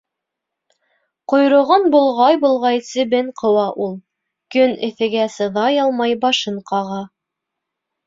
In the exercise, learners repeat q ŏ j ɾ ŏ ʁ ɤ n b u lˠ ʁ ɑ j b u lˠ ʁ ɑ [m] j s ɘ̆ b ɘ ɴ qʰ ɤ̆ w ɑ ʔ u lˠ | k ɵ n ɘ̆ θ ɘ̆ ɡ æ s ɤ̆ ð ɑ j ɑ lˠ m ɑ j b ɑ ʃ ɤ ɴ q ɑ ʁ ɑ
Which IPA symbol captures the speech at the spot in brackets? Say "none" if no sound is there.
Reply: none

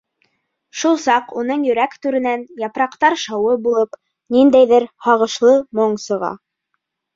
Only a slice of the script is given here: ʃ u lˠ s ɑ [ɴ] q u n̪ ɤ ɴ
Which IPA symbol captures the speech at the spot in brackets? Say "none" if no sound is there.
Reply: none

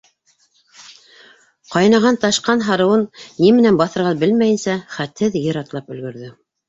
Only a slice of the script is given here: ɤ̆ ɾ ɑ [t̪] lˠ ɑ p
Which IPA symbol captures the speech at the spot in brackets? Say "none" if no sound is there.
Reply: t̪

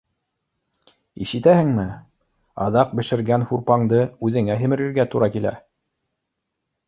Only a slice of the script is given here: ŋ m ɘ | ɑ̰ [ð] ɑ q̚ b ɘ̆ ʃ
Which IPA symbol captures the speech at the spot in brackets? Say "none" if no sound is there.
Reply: ð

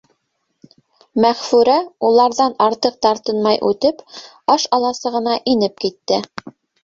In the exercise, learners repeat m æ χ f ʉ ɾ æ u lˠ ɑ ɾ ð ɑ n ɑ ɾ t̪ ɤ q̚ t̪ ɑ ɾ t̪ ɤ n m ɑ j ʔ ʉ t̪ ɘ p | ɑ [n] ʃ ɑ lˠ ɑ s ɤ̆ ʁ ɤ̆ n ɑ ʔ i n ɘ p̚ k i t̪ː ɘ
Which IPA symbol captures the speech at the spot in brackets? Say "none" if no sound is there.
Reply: none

